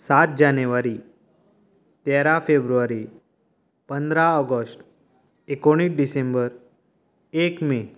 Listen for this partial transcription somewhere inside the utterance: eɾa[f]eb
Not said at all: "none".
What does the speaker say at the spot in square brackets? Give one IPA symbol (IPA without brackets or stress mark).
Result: f